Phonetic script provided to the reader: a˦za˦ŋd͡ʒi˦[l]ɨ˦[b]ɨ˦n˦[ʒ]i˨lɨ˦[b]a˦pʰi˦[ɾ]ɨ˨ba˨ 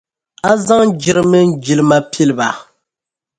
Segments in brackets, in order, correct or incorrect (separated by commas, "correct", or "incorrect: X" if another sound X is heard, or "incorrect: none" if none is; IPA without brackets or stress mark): incorrect: ɾ, incorrect: m, incorrect: d͡ʒ, incorrect: m, incorrect: l